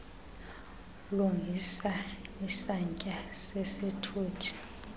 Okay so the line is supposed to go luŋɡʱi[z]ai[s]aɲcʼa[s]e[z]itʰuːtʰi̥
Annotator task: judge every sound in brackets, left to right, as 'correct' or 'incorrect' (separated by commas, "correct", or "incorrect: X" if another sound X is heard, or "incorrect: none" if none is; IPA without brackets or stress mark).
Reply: incorrect: s, correct, correct, incorrect: s